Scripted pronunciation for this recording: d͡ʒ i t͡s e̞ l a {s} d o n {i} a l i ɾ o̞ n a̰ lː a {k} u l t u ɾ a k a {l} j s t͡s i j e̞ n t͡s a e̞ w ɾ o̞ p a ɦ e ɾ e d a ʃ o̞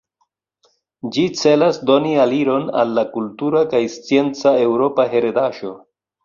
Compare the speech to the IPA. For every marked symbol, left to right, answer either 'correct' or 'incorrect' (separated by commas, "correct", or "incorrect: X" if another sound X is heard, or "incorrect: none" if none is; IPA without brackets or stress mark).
correct, correct, correct, incorrect: none